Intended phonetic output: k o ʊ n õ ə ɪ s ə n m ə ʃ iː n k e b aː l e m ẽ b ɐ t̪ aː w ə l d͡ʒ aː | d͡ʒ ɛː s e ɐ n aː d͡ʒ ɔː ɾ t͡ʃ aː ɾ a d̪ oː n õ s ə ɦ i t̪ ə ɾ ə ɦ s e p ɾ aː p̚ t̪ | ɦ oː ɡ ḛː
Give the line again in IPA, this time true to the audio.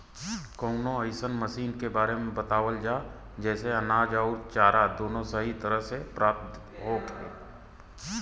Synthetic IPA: k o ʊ n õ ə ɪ s ə n m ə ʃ iː n k e b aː ɾ e m ẽ b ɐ t̪ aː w ə l d͡ʒ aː | d͡ʒ ɛː s e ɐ n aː d͡ʒ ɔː ɾ t͡ʃ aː ɾ a d̪ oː n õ s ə ɦ i t̪ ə ɾ ə ɦ s e p ɾ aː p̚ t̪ | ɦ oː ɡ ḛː